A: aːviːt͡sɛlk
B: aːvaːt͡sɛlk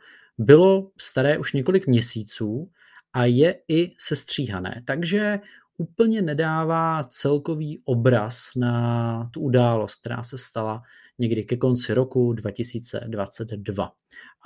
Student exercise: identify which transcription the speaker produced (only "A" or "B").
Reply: B